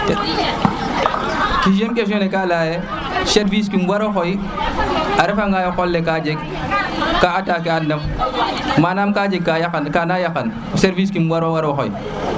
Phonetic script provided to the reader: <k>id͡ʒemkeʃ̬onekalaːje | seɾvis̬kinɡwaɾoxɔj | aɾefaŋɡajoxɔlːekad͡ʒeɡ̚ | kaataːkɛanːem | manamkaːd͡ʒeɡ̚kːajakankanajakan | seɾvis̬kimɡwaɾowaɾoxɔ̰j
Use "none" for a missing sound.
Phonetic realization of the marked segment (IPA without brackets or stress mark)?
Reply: k